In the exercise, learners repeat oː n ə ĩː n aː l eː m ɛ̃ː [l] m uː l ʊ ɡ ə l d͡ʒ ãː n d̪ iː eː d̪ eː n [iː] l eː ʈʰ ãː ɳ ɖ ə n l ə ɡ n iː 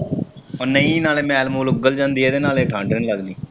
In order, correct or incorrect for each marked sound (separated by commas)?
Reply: correct, incorrect